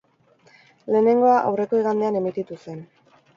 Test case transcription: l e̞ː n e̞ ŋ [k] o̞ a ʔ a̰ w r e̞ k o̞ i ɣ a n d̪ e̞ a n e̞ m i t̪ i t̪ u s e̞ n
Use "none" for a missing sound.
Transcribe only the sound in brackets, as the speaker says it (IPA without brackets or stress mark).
ɡ